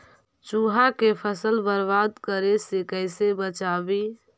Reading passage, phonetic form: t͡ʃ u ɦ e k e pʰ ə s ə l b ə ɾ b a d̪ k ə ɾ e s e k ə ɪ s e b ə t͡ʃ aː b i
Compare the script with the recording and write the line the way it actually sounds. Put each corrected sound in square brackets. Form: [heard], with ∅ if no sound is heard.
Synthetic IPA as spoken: t͡ʃ u ɦ [a] k e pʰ ə s ə l b ə ɾ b a d̪ k ə ɾ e s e k ə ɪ s e b ə t͡ʃ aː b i